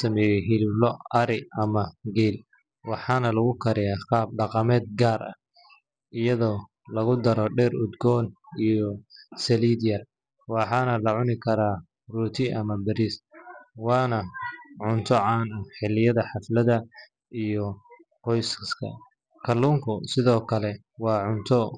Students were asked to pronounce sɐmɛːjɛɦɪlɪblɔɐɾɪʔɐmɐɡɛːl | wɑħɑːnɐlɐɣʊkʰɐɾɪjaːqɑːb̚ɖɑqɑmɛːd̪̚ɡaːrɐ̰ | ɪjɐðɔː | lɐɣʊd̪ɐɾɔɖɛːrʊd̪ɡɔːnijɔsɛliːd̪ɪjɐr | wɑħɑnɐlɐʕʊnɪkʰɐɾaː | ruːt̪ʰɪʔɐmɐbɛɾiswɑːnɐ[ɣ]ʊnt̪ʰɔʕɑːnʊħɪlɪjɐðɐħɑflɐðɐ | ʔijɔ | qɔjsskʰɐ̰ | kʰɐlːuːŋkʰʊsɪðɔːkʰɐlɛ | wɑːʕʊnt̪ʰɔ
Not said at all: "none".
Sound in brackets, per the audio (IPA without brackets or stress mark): ʕ